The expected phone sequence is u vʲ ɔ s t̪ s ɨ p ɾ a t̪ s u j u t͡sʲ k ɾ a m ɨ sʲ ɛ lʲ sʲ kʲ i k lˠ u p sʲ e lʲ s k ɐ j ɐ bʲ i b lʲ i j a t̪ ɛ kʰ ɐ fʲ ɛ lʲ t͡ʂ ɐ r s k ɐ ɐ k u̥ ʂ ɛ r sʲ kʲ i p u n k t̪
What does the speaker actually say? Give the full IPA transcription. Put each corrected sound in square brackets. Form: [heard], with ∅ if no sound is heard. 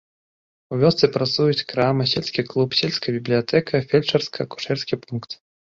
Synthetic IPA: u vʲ ɔ s t̪ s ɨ p ɾ a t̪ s u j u t͡sʲ k ɾ a m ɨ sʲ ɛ lʲ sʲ kʲ i k lˠ u p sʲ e lʲ s k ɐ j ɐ bʲ i b lʲ i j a t̪ ɛ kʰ ɐ fʲ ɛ lʲ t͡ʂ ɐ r s k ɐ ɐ k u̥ ʂ ɛ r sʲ kʲ i p u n k t̪